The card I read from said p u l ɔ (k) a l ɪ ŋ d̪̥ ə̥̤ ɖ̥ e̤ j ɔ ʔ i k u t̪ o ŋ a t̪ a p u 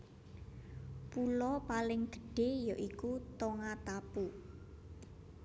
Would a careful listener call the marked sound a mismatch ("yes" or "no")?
yes